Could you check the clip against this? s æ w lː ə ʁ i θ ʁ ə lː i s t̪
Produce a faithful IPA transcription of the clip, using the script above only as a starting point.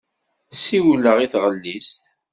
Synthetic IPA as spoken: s i w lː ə ʁ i θ ʁ ə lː i s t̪